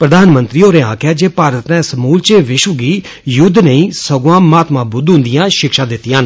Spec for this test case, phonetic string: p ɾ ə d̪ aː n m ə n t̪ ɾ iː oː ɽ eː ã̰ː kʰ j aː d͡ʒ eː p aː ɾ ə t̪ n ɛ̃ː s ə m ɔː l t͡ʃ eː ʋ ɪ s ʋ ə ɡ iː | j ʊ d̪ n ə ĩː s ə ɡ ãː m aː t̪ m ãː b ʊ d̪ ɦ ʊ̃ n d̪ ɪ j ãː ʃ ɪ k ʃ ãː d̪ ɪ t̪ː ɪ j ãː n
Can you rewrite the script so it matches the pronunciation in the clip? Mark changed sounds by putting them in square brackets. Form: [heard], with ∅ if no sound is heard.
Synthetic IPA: p ɾ ə d̪ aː n m ə n t̪ ɾ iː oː [ɾ] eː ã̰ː kʰ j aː d͡ʒ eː p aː ɾ ə t̪ n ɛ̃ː s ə m [uː] l t͡ʃ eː ʋ ɪ [ʃ] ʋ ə ɡ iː | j ʊ d̪ n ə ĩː s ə ɡ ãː m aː t̪ m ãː b ʊ d̪ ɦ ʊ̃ n d̪ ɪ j ãː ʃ ɪ k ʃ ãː d̪ ɪ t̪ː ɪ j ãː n